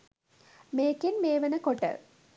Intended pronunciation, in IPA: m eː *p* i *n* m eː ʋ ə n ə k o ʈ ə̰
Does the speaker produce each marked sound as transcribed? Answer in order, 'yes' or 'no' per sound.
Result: no, yes

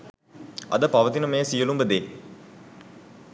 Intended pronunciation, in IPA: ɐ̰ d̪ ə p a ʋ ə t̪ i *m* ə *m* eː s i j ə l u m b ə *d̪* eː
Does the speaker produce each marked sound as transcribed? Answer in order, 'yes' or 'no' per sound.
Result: no, yes, yes

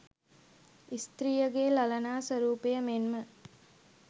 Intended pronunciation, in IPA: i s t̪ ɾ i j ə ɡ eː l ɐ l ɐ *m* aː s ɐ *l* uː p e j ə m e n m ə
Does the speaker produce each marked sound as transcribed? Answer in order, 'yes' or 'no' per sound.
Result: no, no

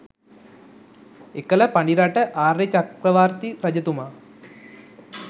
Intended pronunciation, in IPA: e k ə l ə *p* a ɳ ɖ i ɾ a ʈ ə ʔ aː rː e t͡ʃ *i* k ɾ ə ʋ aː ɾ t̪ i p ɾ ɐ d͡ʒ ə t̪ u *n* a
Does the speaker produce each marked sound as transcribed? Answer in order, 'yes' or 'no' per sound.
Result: yes, no, no

